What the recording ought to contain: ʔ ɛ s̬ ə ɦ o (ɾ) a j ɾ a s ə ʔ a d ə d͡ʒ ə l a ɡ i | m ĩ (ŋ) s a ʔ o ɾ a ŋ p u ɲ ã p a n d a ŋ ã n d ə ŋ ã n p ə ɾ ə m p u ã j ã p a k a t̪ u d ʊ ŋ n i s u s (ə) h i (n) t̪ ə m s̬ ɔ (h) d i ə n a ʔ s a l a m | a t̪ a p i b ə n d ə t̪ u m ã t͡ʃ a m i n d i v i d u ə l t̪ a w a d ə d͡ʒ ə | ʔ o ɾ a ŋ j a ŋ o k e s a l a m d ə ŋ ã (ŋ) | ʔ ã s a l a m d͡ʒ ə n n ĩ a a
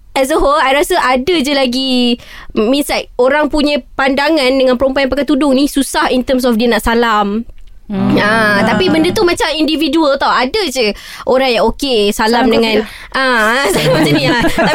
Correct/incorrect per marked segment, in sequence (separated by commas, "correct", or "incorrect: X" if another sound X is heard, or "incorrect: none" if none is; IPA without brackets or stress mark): incorrect: l, incorrect: n, incorrect: a, correct, incorrect: f, incorrect: n